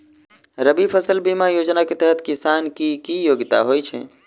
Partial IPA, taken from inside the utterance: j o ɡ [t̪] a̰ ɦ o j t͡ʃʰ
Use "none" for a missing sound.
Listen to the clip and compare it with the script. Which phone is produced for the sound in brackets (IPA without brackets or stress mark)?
t̪